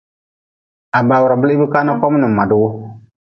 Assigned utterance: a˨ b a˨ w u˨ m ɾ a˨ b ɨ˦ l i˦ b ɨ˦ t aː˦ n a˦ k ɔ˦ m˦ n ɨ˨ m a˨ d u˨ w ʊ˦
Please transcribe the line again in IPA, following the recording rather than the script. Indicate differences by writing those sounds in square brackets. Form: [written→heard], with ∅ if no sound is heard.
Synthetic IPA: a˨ b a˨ w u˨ [m→∅] ɾ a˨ b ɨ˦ l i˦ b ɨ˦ [t→k] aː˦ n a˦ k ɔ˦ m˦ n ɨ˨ m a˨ d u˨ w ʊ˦